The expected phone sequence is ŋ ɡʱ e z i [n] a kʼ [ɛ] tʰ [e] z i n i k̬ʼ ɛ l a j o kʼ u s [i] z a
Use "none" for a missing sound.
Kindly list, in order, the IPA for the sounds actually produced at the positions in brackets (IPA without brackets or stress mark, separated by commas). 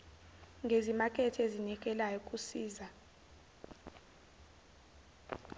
m, ɛ, e, iː